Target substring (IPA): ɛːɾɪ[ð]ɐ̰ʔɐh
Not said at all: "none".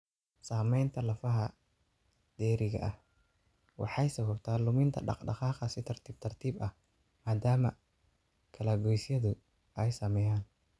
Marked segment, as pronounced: ɣ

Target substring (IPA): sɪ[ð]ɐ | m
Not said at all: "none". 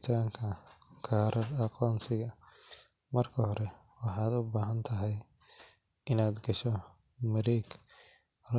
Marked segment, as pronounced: ɣ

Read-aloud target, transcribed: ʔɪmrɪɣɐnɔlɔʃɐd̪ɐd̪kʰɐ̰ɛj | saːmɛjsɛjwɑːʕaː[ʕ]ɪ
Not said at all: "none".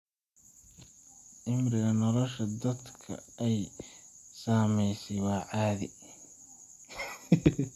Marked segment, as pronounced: ð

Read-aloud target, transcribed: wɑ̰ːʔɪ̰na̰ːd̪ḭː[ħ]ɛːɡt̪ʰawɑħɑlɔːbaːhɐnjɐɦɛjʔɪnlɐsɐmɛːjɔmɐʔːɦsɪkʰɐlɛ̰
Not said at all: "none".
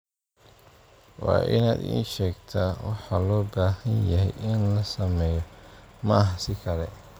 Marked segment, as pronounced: ʃ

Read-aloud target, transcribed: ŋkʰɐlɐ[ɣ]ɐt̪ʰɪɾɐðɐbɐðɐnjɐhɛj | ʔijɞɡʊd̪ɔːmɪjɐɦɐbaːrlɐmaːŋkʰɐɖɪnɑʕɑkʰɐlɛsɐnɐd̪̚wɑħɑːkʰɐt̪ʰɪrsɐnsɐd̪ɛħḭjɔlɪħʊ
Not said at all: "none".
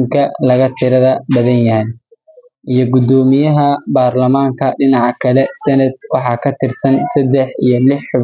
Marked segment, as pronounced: ɣ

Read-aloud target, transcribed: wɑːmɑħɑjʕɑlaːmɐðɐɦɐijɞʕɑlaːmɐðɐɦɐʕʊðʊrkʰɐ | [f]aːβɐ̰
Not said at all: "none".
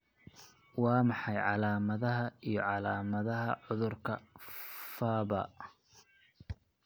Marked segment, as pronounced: f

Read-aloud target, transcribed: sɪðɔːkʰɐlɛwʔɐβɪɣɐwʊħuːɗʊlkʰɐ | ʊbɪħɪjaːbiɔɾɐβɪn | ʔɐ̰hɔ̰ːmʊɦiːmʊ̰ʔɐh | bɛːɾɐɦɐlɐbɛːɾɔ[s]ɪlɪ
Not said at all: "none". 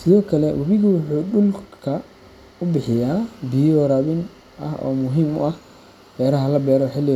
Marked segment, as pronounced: ħ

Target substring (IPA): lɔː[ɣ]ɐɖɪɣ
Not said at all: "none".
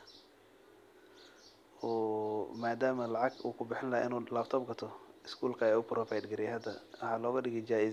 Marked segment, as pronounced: ɣ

